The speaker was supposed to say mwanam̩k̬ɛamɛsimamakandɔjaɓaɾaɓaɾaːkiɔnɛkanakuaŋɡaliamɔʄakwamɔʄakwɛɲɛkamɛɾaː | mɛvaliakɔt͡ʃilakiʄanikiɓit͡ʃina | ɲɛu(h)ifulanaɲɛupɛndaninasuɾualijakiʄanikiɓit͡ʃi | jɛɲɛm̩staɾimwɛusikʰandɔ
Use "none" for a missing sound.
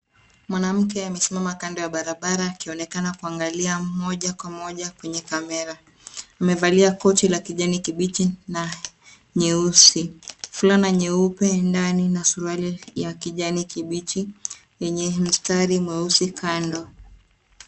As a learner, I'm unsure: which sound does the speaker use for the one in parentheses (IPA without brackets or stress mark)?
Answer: s